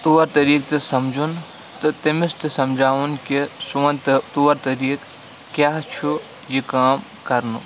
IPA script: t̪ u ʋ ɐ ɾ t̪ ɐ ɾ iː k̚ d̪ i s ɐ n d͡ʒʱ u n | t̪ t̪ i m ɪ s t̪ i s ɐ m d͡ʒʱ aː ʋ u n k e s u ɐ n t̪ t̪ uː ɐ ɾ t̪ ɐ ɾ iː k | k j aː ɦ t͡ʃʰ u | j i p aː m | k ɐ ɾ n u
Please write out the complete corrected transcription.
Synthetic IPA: t̪ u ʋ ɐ ɾ t̪ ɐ ɾ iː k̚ t̪ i s ɐ m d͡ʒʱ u n | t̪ t̪ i m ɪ s t̪ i s ɐ m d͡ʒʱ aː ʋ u n k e s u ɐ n t̪ t̪ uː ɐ ɾ t̪ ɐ ɾ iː k | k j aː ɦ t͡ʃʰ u | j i k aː m | k ɐ ɾ n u